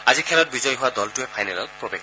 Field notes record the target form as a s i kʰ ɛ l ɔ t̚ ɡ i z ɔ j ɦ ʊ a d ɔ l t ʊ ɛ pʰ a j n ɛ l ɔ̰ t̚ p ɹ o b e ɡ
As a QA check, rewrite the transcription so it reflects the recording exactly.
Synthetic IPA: a z i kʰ ɛ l ɔ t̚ b i z ɔ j ɦ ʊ a d ɔ l t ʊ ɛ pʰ a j n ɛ l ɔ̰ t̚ p ɹ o b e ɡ